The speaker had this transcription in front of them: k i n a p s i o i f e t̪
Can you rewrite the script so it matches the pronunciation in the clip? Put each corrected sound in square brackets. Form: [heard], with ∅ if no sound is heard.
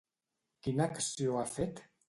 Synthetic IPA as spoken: k i n a [k] s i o [a] f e t̪